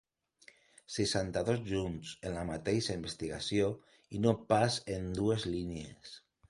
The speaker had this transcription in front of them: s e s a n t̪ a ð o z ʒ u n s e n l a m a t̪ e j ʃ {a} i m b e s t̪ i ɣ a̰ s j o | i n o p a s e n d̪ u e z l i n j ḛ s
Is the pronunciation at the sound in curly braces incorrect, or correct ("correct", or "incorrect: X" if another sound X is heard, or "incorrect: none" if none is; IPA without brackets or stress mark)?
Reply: correct